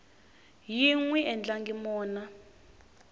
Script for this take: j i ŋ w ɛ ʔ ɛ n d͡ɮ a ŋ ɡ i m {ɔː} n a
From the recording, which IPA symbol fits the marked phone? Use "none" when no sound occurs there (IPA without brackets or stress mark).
ɔː